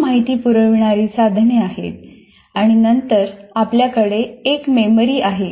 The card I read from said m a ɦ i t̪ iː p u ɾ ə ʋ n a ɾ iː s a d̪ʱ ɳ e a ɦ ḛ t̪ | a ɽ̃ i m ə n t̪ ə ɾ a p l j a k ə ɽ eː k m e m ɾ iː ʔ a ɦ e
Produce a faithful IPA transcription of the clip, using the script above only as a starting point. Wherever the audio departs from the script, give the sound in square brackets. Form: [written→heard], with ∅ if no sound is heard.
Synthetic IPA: m a ɦ i t̪ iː p u ɾ ə ʋ [n→ɳ] a ɾ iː s a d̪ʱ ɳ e a ɦ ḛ t̪ | a ɽ̃ i [m→n] ə n t̪ ə ɾ a p l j a k ə ɽ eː k m e m ɾ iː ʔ a ɦ e